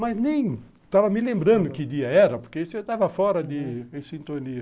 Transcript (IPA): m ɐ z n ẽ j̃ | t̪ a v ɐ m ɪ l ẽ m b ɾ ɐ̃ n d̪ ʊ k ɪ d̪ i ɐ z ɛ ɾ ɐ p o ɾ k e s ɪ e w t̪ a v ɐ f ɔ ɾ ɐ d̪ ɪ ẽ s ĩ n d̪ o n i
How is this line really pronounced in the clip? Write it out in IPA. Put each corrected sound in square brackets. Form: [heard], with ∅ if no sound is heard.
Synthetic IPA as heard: m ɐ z n ẽ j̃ | t̪ a v ɐ m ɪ l ẽ m b ɾ ɐ̃ n d̪ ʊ k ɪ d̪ i ɐ [∅] ɛ ɾ ɐ p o ɾ k e s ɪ e w t̪ a v ɐ f ɔ ɾ ɐ d̪ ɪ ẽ s ĩ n [t̪] o n i